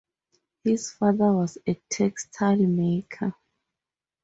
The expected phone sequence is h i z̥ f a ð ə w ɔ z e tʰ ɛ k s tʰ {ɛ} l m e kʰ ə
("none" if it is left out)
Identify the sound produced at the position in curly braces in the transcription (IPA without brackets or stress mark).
a